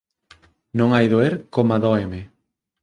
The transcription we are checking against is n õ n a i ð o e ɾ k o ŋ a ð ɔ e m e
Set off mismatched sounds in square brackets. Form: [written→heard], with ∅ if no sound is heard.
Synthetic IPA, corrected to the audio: n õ [n→ŋ] a [i→j] ð o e ɾ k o [ŋ→m] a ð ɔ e m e